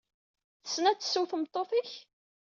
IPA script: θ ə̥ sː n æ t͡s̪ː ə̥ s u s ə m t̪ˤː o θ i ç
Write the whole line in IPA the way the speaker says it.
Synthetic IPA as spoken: θ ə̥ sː n æ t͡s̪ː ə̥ s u θ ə m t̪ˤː o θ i ç